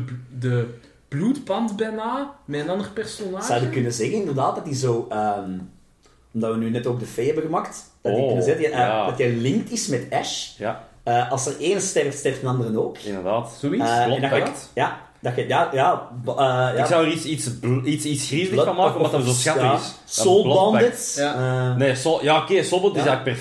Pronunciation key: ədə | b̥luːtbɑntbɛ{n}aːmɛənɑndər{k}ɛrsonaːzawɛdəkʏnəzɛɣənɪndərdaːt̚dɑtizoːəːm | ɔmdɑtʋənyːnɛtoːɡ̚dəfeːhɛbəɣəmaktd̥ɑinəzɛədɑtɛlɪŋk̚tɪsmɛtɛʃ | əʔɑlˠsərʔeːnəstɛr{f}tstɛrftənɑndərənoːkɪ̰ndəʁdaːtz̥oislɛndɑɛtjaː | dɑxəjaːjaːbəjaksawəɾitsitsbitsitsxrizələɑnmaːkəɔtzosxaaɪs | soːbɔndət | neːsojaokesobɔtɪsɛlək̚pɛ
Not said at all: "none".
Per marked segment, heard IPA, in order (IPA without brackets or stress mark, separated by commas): n, p, f